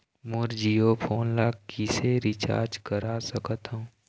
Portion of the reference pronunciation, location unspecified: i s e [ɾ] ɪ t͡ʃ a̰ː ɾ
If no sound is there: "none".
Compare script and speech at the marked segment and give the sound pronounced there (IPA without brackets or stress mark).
ɾ